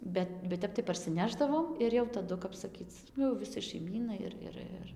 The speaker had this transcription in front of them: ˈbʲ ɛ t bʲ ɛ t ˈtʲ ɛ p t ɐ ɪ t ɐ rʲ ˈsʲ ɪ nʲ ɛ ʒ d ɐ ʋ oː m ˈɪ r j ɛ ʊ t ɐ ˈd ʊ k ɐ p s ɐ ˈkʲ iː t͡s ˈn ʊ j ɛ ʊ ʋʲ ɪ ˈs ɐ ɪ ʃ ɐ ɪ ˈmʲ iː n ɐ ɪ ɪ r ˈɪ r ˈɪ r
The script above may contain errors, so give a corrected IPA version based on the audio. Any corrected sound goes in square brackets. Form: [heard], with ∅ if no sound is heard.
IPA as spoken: ˈbʲ ɛ t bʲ ɛ t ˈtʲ ɛ p t ɐ ɪ [p] ɐ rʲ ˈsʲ ɪ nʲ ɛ ʒ d ɐ ʋ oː m ˈɪ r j ɛ ʊ t ɐ ˈd ʊ k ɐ p s ɐ ˈkʲ iː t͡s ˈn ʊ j ɛ ʊ ʋʲ ɪ ˈs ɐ ɪ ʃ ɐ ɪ ˈmʲ iː n ɐ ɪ ɪ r ˈɪ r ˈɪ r